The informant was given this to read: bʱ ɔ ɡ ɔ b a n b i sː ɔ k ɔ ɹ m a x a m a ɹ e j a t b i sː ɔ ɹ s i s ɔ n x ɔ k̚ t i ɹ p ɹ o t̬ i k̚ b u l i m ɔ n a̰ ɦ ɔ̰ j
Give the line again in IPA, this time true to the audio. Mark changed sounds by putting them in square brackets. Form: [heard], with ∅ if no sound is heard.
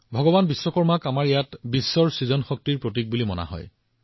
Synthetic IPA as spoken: bʱ ɔ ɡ ɔ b a n b i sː ɔ k ɔ ɹ m a [k] a m a ɹ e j a t b i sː ɔ ɹ s i [z] ɔ n x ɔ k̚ t i ɹ p ɹ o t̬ i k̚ b u l i m ɔ n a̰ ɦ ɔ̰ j